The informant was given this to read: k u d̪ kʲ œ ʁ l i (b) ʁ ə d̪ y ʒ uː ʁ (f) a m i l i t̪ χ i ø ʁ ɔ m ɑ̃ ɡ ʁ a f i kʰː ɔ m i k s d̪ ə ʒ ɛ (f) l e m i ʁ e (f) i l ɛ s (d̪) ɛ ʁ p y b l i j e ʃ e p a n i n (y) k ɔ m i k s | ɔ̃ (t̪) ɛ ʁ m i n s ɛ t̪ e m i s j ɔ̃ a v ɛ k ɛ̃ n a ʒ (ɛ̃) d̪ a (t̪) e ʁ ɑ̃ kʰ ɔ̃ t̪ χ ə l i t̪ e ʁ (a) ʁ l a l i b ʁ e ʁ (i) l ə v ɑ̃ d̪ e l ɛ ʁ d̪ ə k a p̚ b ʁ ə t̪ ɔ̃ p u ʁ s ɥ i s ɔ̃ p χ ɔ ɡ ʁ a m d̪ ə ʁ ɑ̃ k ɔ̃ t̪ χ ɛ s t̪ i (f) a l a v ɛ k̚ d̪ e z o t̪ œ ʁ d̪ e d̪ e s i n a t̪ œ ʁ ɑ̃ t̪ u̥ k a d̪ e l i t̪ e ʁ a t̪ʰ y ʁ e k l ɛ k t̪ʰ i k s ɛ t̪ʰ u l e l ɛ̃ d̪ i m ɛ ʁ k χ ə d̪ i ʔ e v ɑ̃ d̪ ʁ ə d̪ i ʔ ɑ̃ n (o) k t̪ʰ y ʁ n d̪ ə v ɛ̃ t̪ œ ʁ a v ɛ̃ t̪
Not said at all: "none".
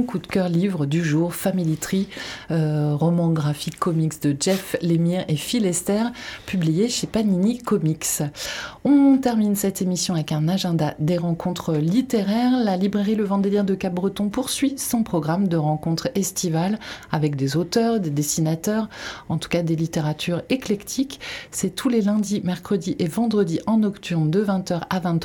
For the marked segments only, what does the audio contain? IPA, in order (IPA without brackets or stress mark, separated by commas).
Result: v, f, f, f, t̪, i, t̪, ɛ̃, d̪, ɛ, i, v, ɔ